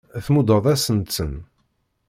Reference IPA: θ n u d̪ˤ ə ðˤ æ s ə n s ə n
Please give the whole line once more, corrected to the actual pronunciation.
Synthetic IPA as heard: θ m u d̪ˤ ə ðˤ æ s ə n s ə n